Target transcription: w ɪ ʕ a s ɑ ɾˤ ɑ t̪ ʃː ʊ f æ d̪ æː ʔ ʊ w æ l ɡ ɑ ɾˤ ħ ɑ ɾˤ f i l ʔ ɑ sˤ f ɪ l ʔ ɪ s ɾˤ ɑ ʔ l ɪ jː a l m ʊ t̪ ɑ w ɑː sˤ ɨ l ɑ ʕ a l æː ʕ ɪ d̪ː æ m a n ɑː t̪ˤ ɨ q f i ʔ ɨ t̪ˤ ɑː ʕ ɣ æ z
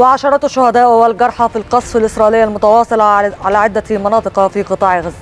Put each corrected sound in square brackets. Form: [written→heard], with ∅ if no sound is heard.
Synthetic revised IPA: w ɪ ʕ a [s→ʃ] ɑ ɾˤ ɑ t̪ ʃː ʊ [f→h] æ d̪ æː ʔ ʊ w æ l ɡ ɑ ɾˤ ħ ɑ [ɾˤ→∅] f i l [ʔ→q] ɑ sˤ f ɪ l ʔ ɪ s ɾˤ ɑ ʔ l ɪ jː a l m ʊ t̪ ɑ w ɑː sˤ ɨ l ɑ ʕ a l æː ʕ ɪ d̪ː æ m [a→ɑ] n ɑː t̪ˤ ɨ q f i [ʔ→q] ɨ t̪ˤ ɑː ʕ ɣ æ z